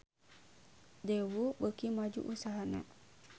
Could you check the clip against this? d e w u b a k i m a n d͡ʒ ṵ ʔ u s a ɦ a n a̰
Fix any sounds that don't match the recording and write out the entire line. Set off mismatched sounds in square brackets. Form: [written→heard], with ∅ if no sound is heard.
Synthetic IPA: d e w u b [a→ə] k i m a [n→∅] d͡ʒ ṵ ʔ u s a ɦ a n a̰

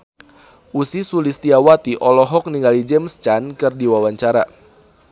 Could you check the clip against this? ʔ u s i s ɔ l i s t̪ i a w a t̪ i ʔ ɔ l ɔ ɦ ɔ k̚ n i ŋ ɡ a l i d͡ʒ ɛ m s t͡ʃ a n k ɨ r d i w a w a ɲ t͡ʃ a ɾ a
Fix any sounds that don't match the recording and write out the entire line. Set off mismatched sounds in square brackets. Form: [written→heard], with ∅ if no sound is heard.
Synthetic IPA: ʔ u s i s [ɔ→u] l i s t̪ i a w a t̪ i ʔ ɔ l ɔ ɦ ɔ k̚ n i ŋ ɡ a l i d͡ʒ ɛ m s t͡ʃ a n k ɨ r d i w a w a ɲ t͡ʃ a ɾ a

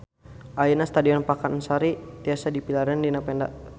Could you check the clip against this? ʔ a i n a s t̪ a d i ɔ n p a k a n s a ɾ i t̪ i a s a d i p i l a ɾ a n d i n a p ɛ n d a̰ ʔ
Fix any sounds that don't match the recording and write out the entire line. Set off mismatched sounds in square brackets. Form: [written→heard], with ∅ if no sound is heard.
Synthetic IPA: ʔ a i n a s t̪ a d i ɔ n p a k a n s a ɾ i t̪ i a s a d i p i l a ɾ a n d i n a p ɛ n d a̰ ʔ

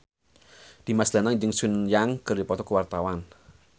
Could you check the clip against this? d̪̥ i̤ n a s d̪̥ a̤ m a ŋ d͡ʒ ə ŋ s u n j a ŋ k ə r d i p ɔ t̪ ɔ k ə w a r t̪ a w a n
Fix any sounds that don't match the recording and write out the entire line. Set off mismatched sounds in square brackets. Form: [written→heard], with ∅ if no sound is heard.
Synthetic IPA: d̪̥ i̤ [n→m] a s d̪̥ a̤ [m→n] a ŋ d͡ʒ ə ŋ s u n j a ŋ k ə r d i p ɔ t̪ ɔ k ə w a r t̪ a w a n

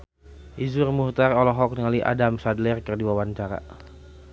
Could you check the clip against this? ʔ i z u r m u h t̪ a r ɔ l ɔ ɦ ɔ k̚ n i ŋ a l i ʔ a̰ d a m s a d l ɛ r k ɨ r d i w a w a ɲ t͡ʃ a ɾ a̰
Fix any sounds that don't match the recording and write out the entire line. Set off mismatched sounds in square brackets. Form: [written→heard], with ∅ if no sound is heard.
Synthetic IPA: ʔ i z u r m u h t̪ a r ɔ l ɔ ɦ ɔ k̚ n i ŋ a l i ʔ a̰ d a m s a d l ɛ r k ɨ r d i w a w a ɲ t͡ʃ a ɾ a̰

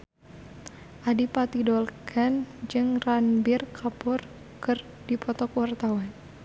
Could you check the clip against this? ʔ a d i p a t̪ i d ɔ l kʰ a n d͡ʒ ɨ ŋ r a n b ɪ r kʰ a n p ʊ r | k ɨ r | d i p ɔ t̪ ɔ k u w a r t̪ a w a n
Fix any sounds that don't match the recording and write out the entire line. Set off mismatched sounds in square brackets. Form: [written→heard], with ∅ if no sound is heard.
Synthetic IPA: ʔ a d i p a t̪ i d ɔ l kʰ a n d͡ʒ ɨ ŋ r a n b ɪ r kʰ a [n→∅] p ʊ r | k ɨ r | d i p ɔ t̪ ɔ k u w a r t̪ a w a n

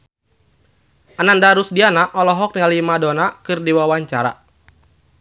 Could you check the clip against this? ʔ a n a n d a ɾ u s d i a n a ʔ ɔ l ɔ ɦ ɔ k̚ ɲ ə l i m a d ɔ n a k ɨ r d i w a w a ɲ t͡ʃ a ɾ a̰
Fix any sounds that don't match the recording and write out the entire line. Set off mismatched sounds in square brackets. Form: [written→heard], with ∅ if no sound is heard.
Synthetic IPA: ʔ a n a n d a ɾ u s d i a n a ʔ ɔ l ɔ ɦ ɔ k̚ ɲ [ə→a] l i m a d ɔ n a k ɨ r d i w a w a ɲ t͡ʃ a ɾ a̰

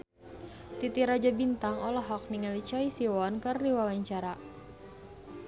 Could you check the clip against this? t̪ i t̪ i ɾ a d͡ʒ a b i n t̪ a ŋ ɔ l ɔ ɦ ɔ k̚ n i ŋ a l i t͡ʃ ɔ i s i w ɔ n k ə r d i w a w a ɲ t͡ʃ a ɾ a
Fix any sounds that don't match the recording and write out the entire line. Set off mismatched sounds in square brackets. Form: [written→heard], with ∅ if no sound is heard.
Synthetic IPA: t̪ i t̪ i ɾ a d͡ʒ a b i n t̪ a ŋ ɔ l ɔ ɦ ɔ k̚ n i ŋ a l i t͡ʃ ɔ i s i w ɔ n k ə r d i w a w a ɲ t͡ʃ a ɾ a

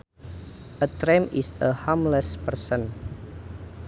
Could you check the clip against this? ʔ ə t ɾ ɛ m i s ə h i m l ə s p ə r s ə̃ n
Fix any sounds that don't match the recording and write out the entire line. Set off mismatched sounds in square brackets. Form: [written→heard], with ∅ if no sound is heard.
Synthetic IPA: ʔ ə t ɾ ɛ m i s ə h [i→a] m l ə s p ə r s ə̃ n

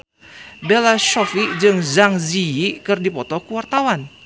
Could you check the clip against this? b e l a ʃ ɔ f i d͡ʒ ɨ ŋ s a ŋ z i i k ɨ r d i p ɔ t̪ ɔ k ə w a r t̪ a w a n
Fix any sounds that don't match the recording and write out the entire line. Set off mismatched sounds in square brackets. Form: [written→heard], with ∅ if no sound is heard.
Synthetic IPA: b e l a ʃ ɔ f i d͡ʒ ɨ ŋ [s→z] a ŋ z i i k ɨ r d i p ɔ t̪ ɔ k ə w a r t̪ a w a n

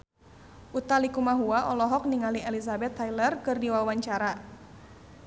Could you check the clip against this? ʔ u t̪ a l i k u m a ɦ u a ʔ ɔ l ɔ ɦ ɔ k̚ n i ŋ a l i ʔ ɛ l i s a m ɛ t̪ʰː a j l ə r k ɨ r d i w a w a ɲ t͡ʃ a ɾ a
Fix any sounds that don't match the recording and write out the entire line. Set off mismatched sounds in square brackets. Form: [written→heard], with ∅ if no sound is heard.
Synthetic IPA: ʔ u t̪ a l i k u m a ɦ u a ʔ ɔ l ɔ ɦ ɔ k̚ n i ŋ a l i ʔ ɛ l i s a [m→b] ɛ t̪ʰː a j l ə r k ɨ r d i w a w a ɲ t͡ʃ a ɾ a

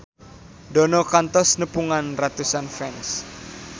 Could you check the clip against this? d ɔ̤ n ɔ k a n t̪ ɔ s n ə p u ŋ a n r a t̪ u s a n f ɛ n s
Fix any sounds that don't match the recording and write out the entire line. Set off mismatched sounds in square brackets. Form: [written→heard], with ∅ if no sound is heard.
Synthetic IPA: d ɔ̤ n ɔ k a n t̪ ɔ s n ə p u ŋ a n r a t̪ u s a n f ɛ n s

